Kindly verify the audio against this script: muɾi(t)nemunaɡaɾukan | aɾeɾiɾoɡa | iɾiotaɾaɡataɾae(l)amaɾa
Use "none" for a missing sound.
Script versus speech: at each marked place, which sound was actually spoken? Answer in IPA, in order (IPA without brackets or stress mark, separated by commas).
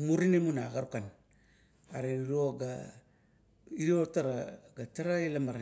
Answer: none, l